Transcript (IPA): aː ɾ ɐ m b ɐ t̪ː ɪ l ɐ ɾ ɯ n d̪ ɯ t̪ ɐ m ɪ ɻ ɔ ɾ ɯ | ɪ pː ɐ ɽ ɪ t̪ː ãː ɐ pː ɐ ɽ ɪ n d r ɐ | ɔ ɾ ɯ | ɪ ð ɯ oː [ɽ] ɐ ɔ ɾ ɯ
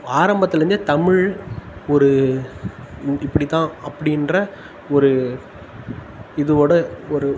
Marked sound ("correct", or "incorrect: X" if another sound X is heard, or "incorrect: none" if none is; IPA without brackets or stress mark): correct